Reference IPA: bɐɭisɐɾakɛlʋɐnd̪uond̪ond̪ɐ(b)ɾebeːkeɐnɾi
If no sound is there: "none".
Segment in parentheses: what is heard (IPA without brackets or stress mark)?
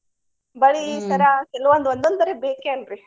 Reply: none